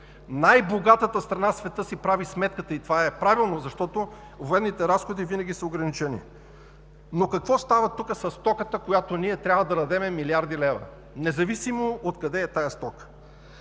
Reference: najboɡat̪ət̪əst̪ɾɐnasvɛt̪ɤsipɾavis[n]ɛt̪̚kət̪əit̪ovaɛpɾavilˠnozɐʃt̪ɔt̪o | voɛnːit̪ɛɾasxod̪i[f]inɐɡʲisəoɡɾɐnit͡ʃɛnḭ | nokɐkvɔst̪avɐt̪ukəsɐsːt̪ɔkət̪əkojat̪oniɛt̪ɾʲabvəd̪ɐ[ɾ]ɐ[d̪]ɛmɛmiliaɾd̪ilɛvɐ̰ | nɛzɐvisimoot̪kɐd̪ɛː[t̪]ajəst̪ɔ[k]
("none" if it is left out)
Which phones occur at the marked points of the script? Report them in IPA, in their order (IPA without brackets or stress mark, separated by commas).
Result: m, v, ɾ, d̪, t̪, k